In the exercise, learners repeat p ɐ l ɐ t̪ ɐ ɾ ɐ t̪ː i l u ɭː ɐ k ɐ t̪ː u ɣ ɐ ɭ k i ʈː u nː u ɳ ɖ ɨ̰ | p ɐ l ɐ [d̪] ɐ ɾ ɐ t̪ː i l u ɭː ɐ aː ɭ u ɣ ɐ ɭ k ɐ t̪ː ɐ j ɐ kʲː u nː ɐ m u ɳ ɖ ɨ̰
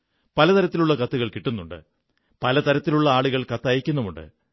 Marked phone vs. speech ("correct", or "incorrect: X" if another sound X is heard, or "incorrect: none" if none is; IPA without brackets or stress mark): incorrect: t̪